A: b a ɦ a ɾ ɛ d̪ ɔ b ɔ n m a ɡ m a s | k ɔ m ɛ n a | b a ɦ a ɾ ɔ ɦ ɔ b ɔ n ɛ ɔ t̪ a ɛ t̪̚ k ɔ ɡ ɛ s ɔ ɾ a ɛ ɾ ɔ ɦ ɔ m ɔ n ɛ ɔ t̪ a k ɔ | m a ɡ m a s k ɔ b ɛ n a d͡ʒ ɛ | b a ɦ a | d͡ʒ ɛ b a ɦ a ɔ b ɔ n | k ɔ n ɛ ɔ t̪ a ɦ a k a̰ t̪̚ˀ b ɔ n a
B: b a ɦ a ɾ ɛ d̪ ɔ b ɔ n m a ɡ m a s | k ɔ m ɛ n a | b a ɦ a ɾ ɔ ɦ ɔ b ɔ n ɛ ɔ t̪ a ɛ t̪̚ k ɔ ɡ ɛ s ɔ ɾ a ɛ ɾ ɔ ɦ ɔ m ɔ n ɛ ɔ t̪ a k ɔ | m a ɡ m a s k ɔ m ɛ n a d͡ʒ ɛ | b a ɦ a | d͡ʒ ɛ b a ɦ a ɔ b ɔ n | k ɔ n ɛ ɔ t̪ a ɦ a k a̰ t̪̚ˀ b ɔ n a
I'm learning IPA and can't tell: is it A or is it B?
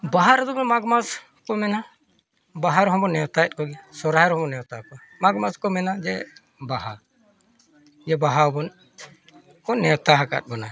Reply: B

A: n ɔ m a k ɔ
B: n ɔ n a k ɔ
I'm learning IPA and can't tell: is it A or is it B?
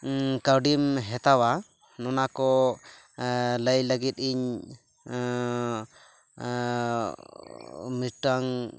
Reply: B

